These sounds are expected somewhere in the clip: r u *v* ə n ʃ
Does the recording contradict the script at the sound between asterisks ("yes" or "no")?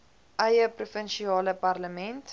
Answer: yes